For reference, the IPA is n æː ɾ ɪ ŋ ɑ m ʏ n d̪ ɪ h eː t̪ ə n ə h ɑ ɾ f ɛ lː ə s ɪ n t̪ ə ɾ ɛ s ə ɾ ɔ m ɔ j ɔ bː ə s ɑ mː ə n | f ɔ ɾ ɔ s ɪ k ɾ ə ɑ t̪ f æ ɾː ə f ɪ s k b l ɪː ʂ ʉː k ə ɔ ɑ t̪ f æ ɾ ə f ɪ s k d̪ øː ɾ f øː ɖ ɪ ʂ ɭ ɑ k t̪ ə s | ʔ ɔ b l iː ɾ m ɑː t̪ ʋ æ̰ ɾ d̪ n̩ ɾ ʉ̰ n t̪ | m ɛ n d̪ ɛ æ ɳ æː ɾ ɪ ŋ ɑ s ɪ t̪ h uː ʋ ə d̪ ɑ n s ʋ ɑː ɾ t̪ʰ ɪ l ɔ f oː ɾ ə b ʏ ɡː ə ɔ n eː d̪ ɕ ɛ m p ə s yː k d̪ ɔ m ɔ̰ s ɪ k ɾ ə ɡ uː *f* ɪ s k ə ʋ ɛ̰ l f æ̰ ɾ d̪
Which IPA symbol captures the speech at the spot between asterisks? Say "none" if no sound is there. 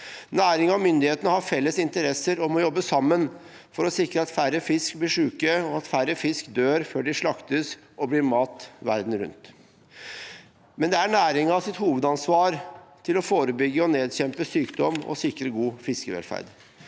f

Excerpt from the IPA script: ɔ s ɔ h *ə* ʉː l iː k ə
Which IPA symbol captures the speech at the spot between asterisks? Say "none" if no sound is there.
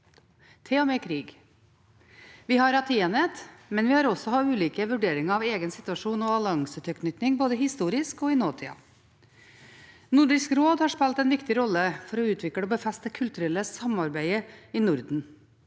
ɑ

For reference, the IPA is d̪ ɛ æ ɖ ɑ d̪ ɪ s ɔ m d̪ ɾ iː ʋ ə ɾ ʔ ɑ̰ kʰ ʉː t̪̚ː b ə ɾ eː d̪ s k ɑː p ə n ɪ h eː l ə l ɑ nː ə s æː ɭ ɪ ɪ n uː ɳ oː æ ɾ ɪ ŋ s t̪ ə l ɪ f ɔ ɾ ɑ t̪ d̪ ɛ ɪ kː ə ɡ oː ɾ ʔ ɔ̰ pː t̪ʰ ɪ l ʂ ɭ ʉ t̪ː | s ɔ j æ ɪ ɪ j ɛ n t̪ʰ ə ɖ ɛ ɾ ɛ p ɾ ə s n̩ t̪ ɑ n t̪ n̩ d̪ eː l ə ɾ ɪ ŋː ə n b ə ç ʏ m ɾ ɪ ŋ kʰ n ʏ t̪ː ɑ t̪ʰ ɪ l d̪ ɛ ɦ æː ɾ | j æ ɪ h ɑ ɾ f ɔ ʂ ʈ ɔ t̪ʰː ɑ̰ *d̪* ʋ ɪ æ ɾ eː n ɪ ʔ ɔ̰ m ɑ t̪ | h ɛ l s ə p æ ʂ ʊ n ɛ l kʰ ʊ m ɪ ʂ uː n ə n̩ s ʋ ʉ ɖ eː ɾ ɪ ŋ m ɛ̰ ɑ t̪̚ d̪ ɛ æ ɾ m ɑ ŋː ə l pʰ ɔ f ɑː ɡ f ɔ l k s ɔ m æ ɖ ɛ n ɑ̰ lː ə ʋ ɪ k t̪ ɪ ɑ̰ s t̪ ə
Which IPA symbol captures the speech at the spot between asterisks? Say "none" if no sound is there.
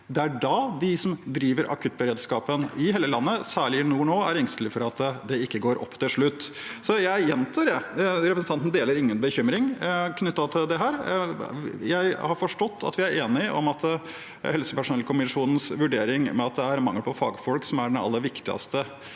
t̪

